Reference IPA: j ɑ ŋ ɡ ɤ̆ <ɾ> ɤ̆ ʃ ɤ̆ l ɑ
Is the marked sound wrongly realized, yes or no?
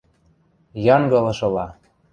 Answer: yes